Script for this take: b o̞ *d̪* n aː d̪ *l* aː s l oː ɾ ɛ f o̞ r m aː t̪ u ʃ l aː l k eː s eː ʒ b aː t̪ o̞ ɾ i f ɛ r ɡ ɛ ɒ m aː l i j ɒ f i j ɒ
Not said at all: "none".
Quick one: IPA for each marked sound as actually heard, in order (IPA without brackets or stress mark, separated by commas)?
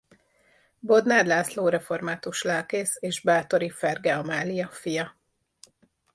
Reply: d̪, l